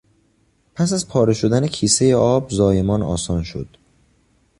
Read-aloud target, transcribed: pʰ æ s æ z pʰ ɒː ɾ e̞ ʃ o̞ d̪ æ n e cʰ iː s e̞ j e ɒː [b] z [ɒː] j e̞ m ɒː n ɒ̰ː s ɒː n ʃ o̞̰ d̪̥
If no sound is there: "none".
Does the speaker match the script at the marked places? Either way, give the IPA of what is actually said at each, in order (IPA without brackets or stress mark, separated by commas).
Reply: b, ɒː